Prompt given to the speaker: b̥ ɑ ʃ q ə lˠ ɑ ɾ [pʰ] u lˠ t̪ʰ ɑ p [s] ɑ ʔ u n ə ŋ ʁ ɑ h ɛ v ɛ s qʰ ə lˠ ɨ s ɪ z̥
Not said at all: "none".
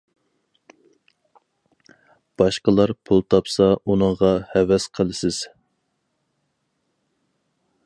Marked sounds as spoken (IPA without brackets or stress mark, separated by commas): pʰ, s